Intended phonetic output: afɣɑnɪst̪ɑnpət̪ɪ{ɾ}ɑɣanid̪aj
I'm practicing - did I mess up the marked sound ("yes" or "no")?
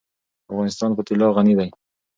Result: yes